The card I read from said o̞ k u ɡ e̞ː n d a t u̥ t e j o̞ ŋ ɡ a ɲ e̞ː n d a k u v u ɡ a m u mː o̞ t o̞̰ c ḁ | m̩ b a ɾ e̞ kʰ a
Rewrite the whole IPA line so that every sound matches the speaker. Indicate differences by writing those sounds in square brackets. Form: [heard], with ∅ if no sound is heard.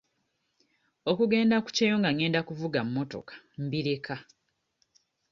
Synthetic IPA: o̞ k u ɡ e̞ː n d a [k] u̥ [c] e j o̞ ŋ ɡ a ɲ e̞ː n d a k u v u ɡ a m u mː o̞ t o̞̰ [k] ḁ | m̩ b [i] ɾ e̞ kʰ a